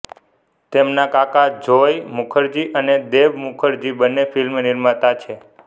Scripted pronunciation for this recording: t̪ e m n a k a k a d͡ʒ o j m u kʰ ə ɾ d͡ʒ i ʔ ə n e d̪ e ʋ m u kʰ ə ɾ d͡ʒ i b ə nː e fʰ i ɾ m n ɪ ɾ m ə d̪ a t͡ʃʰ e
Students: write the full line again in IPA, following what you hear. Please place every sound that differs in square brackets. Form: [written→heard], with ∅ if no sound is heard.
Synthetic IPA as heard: t̪ e m n a k a k a d͡ʒ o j m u kʰ ə ɾ d͡ʒ i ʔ ə n e d̪ e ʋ m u kʰ ə ɾ d͡ʒ i b ə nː e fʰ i [ɾ→l] m n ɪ ɾ m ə [d̪→t̪] a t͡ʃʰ e